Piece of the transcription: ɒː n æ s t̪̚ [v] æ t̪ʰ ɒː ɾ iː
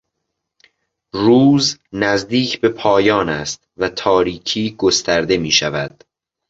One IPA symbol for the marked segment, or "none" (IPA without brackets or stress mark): v